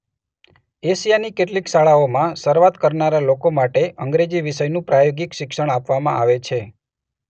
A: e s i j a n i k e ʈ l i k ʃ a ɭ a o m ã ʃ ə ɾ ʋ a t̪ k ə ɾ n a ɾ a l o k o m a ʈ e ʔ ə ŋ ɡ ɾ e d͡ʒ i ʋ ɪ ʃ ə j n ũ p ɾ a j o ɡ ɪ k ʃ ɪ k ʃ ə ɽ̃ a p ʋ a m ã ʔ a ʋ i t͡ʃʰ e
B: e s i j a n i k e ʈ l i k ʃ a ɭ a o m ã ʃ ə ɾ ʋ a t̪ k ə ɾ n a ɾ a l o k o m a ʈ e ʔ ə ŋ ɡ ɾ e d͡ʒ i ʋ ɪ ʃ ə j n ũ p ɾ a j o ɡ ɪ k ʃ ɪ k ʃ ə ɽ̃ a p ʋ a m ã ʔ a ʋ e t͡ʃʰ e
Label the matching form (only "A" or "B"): B